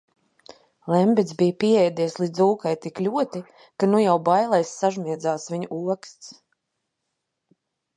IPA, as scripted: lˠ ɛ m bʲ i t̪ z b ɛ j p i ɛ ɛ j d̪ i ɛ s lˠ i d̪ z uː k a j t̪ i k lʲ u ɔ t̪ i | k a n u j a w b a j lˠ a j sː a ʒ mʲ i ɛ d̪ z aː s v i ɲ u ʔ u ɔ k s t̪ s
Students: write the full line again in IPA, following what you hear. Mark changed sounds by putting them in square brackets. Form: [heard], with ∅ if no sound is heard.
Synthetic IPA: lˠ ɛ m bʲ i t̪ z b [i] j p i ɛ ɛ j d̪ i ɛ s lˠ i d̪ z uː k a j t̪ i k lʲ u ɔ t̪ i | k a n u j a w b a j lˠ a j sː a ʒ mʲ i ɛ d̪ z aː s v i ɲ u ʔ u ɔ k s t̪ s

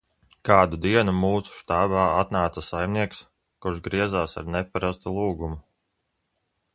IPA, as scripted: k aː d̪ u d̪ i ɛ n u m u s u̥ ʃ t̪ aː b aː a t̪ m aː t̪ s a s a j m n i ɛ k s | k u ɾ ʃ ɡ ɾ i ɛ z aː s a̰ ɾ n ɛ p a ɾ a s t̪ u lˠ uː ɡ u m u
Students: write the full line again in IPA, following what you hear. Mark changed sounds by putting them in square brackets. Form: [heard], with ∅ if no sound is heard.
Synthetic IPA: k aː d̪ u d̪ i ɛ n u m [uː] s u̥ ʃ t̪ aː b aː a t̪ [n] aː t̪ s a s a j m n i ɛ k s | k u ɾ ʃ ɡ ɾ i ɛ z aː s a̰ ɾ n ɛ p a ɾ a s t̪ u lˠ uː ɡ u m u

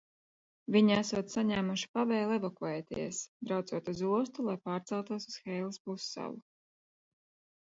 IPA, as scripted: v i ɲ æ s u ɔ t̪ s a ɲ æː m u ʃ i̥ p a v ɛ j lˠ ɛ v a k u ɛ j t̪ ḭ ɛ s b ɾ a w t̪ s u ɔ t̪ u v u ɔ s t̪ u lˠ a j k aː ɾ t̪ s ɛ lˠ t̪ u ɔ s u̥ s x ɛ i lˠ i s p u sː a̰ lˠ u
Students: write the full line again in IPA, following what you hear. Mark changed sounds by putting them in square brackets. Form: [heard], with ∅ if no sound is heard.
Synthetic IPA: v i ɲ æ s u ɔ t̪ s a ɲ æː m u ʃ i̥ p a v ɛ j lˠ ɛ v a k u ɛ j t̪ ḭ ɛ s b ɾ a w t̪ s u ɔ t̪ u [z] u ɔ s t̪ u lˠ a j [p] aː ɾ t̪ s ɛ lˠ t̪ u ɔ s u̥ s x ɛ [j] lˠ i s p u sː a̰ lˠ u

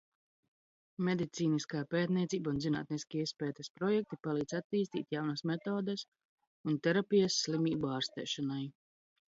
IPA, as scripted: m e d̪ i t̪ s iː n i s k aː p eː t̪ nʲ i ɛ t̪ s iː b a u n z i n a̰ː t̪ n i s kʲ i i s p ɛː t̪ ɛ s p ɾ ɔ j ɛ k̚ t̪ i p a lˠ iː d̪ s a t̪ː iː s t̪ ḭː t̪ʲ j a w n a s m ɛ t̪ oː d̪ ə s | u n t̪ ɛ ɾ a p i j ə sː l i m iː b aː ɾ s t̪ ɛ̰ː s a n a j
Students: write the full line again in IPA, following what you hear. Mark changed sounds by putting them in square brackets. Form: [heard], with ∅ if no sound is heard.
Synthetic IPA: m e d̪ i t̪ s iː n i s k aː p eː t̪ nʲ i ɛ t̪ s iː b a u n z i n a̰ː t̪ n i s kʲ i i s p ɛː t̪ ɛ s p ɾ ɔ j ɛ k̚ t̪ i p a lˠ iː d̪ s a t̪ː iː s t̪ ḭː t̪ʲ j a w n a s m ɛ t̪ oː d̪ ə s | u n t̪ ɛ ɾ a p i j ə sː l i m iː b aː ɾ s t̪ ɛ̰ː [ʃ] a n a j

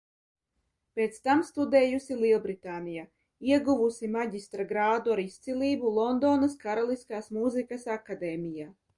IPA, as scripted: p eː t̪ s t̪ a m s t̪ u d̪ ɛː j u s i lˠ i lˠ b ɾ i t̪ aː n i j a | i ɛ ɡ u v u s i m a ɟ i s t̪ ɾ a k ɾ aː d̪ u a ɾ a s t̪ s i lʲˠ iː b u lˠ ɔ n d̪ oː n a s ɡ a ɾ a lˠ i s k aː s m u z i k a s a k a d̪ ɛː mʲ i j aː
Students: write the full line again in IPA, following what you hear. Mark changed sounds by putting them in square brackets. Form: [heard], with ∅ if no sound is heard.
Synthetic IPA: p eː t̪ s t̪ a m s t̪ u d̪ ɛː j u s i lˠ i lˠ b ɾ i t̪ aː n i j a | i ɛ ɡ u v u s i m a ɟ i s t̪ ɾ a [ɡ] ɾ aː d̪ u a ɾ [i] s t̪ s i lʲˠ iː b u lˠ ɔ n d̪ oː n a s [k] a ɾ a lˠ i s k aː s m u z i k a s a k a d̪ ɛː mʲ i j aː

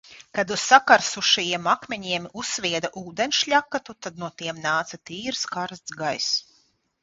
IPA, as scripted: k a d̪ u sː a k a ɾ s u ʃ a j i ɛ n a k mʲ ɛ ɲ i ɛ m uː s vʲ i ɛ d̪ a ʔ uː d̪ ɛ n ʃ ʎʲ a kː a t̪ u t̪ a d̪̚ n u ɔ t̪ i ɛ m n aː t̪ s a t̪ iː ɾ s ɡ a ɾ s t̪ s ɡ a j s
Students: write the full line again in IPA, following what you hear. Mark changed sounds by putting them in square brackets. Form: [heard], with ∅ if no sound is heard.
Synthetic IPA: k a d̪ u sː a k a ɾ s u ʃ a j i ɛ [m] a k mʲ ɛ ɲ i ɛ m [u] s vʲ i ɛ d̪ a ʔ uː d̪ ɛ n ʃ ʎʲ a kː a t̪ u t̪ a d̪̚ n u ɔ t̪ i ɛ m n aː t̪ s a t̪ iː ɾ s [k] a ɾ s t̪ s ɡ a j s

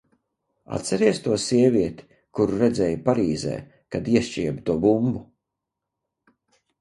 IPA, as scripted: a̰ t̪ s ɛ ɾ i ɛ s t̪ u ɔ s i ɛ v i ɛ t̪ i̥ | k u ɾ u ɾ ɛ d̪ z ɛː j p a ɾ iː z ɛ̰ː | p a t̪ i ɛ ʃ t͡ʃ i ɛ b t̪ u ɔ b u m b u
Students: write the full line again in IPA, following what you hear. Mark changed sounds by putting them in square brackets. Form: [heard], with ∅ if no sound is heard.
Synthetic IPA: a̰ t̪ s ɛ ɾ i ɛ s t̪ u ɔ s i ɛ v i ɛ t̪ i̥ | k u ɾ u ɾ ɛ d̪ z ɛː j p a ɾ iː z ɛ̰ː | [k] a [d̪] i ɛ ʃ t͡ʃ i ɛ b t̪ u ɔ b u m b u

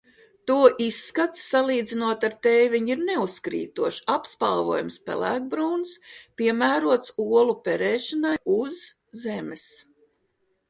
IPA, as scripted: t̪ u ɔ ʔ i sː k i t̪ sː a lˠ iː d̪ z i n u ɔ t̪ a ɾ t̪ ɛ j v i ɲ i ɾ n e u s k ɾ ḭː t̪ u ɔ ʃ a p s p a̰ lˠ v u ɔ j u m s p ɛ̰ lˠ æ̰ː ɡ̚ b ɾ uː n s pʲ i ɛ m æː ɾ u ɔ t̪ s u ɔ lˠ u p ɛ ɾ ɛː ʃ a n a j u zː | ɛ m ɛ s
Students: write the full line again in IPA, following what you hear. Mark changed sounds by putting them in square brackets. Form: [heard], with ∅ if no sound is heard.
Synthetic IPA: t̪ u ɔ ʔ i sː k [a] t̪ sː a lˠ iː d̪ z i n u ɔ t̪ a ɾ t̪ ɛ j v i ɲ i ɾ n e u s k ɾ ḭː t̪ u ɔ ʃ a p s p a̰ lˠ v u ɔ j u m s p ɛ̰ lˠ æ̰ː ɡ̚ b ɾ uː n s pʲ i ɛ m æː ɾ u ɔ t̪ s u ɔ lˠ u p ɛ ɾ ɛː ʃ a n a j u zː | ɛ m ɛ s

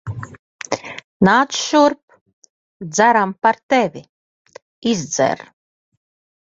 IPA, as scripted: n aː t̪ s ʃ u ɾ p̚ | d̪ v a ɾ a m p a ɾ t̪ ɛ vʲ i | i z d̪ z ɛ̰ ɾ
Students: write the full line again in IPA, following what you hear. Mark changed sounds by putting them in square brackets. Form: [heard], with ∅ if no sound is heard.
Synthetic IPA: n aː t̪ s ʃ u ɾ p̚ | d̪ [z] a ɾ a m p a ɾ t̪ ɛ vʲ i | i z d̪ z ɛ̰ ɾ

